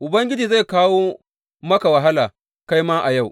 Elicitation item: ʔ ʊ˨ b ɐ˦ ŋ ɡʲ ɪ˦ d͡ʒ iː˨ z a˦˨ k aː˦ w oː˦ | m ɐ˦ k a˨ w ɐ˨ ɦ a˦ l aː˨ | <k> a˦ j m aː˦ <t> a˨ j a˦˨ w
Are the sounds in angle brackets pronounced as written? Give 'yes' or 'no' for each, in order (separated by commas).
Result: yes, no